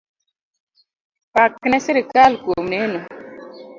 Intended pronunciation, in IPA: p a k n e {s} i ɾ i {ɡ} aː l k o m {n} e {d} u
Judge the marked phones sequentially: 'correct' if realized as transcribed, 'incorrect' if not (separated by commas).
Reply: correct, incorrect, correct, incorrect